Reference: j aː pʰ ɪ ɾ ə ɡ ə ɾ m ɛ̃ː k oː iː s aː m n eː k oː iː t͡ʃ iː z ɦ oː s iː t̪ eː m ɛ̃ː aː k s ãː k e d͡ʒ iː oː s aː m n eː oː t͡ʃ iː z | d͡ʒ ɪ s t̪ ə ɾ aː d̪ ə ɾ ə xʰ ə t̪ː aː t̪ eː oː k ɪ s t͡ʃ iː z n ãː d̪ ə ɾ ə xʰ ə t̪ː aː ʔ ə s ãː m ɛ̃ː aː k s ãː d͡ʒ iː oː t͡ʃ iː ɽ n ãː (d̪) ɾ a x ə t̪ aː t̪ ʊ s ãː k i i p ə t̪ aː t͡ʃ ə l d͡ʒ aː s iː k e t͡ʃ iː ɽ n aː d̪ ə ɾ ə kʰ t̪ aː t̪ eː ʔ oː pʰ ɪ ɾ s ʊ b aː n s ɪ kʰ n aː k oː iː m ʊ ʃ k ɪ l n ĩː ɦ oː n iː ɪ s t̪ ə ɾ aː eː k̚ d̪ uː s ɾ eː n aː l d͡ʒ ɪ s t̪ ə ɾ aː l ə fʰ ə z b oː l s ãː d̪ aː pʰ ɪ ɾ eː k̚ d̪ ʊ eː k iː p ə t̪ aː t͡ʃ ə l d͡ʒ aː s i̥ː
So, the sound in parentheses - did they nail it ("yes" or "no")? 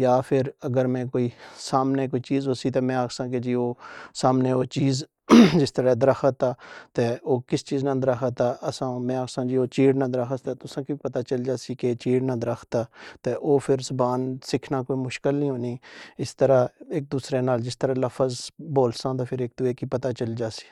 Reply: yes